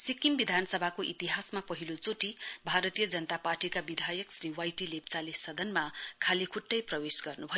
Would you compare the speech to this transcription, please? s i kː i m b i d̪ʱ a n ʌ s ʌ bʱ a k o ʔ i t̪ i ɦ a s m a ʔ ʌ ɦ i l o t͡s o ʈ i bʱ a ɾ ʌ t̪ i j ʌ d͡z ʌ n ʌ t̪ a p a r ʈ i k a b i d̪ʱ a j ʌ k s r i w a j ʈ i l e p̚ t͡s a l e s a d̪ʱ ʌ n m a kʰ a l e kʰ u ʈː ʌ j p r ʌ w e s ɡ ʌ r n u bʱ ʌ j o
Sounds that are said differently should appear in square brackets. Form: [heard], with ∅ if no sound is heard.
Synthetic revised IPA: s i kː i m b i d̪ʱ a n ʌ s ʌ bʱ a k o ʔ i t̪ i ɦ a s m a [p] ʌ ɦ i l o t͡s o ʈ i bʱ a ɾ ʌ t̪ i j ʌ d͡z ʌ n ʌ t̪ a p a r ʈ i k a b i d̪ʱ a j ʌ k s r i w a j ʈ i l e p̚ t͡s a l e s [ʌ] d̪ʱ ʌ n m a kʰ a l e kʰ u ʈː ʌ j p r ʌ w e s ɡ ʌ r n u bʱ ʌ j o

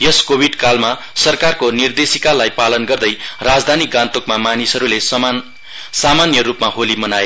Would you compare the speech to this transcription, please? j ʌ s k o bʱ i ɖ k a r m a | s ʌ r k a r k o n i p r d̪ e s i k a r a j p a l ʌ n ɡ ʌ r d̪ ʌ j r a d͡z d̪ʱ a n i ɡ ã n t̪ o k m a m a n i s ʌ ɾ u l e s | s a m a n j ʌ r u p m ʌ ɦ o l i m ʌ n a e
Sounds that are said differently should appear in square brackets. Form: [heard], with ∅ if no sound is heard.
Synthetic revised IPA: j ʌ s k o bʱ i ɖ k a [l] m a | s ʌ r k a r k o n i [∅] r d̪ e s i k a [l] a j p a l ʌ n ɡ ʌ r d̪ ʌ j r a d͡z d̪ʱ a n i ɡ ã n t̪ o k m a m a n i s ʌ ɾ u l e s | s a m a n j ʌ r u p m [a] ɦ o l i m ʌ n a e

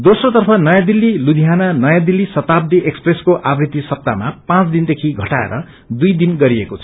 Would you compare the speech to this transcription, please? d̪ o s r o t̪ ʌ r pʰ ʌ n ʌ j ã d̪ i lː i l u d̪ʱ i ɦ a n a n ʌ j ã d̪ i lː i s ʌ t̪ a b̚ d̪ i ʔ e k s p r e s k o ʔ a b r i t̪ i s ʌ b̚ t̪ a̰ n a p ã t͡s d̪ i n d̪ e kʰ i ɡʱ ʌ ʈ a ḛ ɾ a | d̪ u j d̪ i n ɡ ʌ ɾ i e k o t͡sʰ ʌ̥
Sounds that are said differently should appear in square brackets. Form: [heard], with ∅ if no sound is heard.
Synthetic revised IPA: d̪ o s r o t̪ ʌ r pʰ ʌ n ʌ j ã d̪ i lː i l u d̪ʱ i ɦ a n a n ʌ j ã d̪ i lː i s ʌ t̪ a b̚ d̪ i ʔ e k s p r e s k o ʔ a b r i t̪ i s ʌ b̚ t̪ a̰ [m] a p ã t͡s d̪ i n d̪ e kʰ i ɡʱ ʌ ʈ a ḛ ɾ [ʌ] | d̪ u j d̪ i n ɡ ʌ ɾ i e k o t͡sʰ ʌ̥

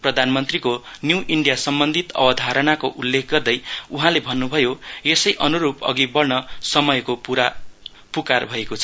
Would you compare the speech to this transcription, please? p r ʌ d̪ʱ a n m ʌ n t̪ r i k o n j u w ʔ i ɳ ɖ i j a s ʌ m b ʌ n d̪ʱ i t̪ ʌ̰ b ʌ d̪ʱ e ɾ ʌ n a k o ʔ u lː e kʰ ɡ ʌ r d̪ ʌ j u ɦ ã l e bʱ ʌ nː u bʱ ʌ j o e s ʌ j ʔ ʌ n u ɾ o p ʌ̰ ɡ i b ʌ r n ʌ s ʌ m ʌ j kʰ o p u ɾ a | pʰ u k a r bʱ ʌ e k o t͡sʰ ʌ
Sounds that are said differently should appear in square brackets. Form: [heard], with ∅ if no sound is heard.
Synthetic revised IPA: p r ʌ d̪ʱ a n m ʌ n t̪ r i k o n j u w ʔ i ɳ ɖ i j a s ʌ m b ʌ n d̪ʱ i t̪ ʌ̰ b ʌ d̪ʱ [a] ɾ ʌ n a k o ʔ u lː e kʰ ɡ ʌ r d̪ ʌ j u ɦ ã l e bʱ ʌ nː u bʱ ʌ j o e s ʌ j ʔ ʌ n u ɾ [u] p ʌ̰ ɡ i b ʌ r n ʌ s ʌ m ʌ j [k] o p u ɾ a | [p] u k a r bʱ ʌ e k o t͡sʰ ʌ

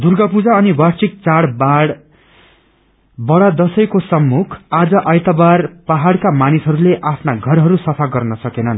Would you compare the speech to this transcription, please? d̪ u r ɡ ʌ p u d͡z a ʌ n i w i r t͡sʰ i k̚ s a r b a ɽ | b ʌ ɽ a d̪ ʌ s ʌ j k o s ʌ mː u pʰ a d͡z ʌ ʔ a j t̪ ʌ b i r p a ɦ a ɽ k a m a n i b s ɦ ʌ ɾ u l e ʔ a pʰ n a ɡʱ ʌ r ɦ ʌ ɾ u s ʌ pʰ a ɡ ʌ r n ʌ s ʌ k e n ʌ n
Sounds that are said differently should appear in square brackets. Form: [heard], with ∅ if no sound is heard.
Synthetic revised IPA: d̪ u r ɡ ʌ p u d͡z a ʌ n i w [a] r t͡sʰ i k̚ [t͡s] a [ɽ] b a ɽ | b ʌ ɽ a d̪ ʌ s ʌ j k o s ʌ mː u [kʰ] a d͡z ʌ ʔ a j t̪ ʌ b [a] r p a ɦ a ɽ k a m a n i [∅] s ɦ ʌ ɾ u l e ʔ a pʰ n a ɡʱ ʌ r ɦ ʌ ɾ u s ʌ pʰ a ɡ ʌ r n ʌ s ʌ k e n ʌ n

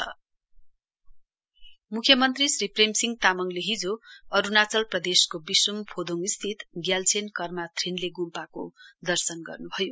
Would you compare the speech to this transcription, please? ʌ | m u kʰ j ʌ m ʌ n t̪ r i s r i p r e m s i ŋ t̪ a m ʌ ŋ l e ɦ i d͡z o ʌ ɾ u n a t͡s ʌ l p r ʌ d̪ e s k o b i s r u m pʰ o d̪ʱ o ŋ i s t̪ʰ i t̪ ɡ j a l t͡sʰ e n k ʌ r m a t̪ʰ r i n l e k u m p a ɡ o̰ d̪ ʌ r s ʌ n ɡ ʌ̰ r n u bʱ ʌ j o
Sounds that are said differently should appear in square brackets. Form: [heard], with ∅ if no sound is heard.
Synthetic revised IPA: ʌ | m u kʰ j ʌ m ʌ n t̪ r i s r i p r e m s i ŋ t̪ a m ʌ ŋ l e ɦ i d͡z o ʌ ɾ u n a t͡s ʌ l p r ʌ d̪ e s k o b i s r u m pʰ o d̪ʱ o ŋ i s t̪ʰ i t̪ ɡ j a l t͡sʰ e n k ʌ r m a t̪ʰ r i n l e [ɡ] u m p a [k] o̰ d̪ ʌ r s ʌ n ɡ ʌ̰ r n u bʱ ʌ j o

